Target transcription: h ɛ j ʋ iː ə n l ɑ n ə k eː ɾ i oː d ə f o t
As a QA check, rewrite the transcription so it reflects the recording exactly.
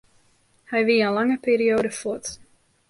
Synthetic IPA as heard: h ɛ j ʋ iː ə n l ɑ ŋ ə p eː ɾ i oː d ə f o t